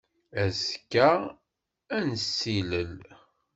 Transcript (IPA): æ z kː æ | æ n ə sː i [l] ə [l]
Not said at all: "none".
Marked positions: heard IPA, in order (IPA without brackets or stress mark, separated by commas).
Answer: l, l